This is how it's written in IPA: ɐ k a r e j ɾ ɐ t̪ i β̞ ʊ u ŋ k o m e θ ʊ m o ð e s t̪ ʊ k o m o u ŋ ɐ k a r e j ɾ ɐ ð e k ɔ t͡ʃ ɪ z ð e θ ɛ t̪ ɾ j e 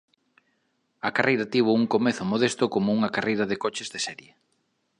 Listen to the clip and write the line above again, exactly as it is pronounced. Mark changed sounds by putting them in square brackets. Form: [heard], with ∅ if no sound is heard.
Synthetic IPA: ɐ k a r e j ɾ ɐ t̪ i β̞ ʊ u ŋ k o m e θ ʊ m o ð e s t̪ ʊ k o m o u ŋ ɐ k a r e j ɾ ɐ ð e k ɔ t͡ʃ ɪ z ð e [s] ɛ [∅] ɾ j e